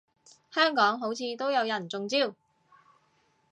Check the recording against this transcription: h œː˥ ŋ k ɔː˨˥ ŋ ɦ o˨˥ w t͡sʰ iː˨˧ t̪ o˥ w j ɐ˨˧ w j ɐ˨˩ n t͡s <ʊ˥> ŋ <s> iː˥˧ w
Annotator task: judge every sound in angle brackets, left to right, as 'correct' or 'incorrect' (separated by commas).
incorrect, incorrect